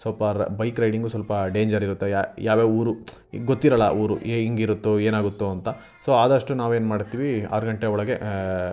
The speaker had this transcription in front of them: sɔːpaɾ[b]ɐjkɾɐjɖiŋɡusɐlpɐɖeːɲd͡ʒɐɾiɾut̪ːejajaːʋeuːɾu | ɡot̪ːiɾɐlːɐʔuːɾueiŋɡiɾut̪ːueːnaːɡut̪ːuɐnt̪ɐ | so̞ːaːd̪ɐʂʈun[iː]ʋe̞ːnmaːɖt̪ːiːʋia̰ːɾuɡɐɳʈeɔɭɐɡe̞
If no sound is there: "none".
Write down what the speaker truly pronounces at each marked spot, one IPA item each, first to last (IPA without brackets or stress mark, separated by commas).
b, aː